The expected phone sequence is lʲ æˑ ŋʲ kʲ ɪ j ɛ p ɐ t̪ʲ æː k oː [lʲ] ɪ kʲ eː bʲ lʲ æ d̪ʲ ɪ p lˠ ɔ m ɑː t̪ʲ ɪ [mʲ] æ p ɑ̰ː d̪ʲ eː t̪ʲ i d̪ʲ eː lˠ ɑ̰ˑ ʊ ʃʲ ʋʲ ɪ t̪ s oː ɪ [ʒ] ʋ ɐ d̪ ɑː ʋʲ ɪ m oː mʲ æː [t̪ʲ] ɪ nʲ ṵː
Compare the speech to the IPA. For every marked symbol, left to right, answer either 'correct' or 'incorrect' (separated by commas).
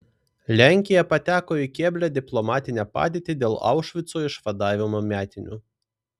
incorrect, incorrect, incorrect, correct